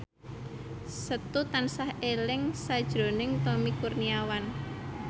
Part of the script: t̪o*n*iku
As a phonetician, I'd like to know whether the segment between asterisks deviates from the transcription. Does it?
yes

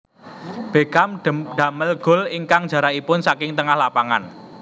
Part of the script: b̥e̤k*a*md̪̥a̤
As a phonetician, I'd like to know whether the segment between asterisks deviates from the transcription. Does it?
no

